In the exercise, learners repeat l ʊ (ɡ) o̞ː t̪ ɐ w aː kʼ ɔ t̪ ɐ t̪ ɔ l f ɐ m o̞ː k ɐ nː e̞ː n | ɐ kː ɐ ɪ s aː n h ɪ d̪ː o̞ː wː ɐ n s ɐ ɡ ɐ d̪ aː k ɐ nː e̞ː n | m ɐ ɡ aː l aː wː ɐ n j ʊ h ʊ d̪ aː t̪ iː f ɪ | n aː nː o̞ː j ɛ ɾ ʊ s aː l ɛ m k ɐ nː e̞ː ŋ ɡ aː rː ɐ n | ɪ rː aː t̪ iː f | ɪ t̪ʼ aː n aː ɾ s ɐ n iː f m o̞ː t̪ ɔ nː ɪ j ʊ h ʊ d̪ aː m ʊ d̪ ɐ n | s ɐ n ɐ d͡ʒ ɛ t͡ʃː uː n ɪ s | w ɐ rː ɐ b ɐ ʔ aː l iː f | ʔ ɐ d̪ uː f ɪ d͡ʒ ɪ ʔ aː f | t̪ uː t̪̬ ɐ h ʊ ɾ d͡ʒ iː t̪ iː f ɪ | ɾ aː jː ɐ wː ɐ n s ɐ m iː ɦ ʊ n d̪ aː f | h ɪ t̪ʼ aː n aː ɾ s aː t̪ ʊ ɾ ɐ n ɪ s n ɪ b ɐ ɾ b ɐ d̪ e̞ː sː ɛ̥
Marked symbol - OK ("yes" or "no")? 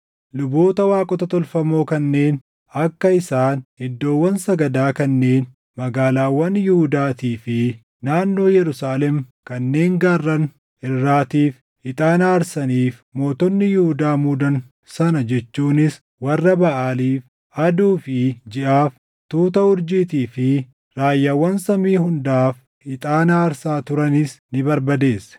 no